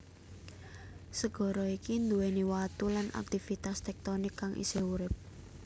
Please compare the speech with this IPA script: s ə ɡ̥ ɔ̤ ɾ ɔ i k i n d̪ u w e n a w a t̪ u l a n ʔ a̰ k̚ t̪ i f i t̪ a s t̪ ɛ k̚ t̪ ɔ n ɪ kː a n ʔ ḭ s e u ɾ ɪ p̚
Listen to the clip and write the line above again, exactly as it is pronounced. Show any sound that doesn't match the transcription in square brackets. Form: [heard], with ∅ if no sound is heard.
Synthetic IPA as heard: s ə ɡ̥ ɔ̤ ɾ ɔ i k i n d̪ u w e n [i] w a t̪ u l a n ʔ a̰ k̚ t̪ i f i t̪ a s t̪ ɛ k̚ t̪ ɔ n ɪ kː a [ŋ] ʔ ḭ s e u ɾ ɪ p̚